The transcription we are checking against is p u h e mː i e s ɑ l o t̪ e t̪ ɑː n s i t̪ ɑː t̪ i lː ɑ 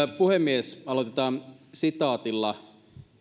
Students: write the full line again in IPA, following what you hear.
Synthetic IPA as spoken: p u h e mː i e s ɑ l o t̪ e t̪ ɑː n s i t̪ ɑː t̪ i lː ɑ